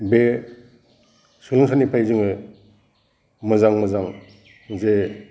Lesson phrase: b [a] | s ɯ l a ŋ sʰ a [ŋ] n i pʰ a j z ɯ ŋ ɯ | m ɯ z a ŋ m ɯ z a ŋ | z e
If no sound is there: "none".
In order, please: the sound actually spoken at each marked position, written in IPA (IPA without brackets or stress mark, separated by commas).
e, none